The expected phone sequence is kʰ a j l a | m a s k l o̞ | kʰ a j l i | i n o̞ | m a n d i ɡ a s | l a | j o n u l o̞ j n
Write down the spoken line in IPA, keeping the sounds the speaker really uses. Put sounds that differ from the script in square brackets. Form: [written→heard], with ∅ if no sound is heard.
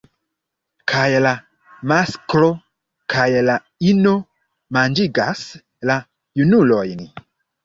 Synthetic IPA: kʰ a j l a | m a s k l o̞ | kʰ a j l [i→a] | i n o̞ | m a n [d→d͡ʒ] i ɡ a s | l a | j [o→u] n u l o̞ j n